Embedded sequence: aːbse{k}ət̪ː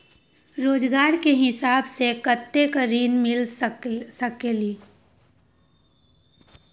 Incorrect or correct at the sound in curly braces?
correct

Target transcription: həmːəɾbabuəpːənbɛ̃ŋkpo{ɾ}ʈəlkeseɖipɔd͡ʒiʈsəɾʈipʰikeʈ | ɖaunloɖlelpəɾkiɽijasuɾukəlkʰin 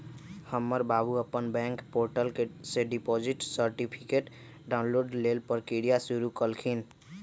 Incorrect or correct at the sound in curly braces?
correct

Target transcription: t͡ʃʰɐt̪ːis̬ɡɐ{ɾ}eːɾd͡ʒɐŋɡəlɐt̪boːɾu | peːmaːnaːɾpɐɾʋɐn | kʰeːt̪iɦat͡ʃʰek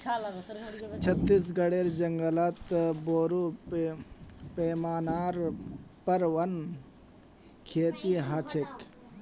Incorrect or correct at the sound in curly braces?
incorrect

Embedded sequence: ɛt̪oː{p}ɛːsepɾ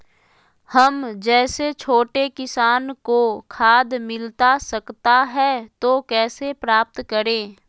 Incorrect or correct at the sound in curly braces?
incorrect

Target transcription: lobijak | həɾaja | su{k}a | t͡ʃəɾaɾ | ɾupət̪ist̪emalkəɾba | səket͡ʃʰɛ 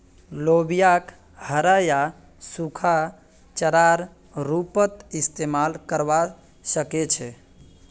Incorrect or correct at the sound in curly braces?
incorrect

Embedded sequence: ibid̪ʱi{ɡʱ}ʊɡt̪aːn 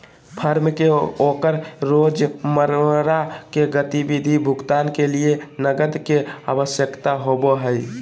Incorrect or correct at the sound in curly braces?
incorrect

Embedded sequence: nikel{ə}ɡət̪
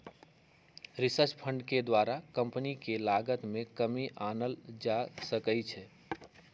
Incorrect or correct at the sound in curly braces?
incorrect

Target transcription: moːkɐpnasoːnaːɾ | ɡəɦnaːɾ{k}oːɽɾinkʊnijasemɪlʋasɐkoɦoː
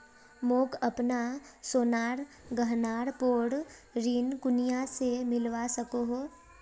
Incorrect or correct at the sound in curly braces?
incorrect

